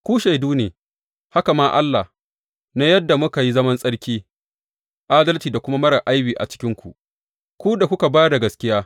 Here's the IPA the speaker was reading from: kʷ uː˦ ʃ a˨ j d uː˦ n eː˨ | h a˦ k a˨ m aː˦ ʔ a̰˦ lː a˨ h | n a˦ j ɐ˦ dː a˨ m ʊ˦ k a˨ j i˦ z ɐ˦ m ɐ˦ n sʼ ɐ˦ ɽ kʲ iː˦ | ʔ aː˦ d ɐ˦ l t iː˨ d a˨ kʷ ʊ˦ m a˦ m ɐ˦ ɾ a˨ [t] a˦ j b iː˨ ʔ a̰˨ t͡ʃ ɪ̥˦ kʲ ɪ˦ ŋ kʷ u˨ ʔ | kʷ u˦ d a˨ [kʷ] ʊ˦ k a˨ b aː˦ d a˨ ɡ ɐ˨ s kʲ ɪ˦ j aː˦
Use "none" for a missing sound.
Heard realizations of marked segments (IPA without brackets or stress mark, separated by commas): ʔ, kʷ